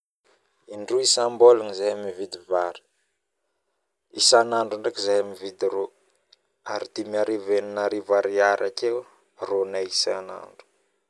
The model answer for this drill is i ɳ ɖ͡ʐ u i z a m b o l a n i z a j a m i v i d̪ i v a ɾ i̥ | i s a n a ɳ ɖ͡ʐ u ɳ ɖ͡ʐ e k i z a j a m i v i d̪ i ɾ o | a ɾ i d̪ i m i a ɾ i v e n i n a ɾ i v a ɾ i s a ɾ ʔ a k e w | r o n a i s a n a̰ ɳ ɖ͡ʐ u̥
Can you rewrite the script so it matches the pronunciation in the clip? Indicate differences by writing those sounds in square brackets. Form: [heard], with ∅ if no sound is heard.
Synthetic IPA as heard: i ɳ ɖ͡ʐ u i [s] a m b o l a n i z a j a m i v i d̪ i v a ɾ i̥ | i s a n a ɳ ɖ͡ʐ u ɳ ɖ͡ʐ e k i z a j a m i v i d̪ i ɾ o | a ɾ i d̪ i m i a ɾ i v e n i n a ɾ i v a ɾ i [∅] a ɾ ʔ a k e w | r o n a i s a n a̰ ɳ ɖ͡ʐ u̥